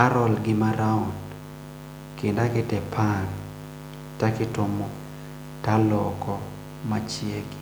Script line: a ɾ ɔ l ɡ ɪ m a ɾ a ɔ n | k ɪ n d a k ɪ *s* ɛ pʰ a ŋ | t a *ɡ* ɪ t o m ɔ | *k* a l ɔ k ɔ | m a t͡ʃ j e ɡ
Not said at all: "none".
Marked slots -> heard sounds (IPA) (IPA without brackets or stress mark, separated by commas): t, k, t